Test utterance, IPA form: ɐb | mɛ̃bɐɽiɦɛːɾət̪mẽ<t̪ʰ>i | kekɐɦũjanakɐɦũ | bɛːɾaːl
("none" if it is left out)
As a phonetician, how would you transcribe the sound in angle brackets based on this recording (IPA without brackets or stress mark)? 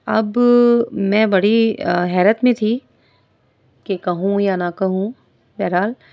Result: t̪ʰ